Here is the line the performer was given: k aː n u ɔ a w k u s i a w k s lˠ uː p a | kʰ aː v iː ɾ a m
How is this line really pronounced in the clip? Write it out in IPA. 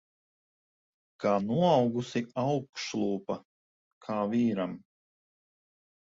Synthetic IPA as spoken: k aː n u ɔ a w ɡ u s i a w k ʃ lˠ uː p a | kʰ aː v iː ɾ a m